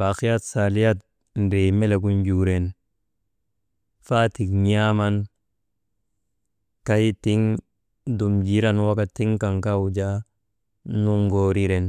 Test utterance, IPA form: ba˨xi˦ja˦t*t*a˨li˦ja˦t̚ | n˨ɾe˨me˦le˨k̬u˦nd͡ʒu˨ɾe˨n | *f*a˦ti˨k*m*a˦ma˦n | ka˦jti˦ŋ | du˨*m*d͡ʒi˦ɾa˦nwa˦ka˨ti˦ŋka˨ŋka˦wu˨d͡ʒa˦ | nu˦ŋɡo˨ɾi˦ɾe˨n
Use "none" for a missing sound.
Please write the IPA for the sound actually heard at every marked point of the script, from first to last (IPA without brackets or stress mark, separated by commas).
s, f, ɲ, m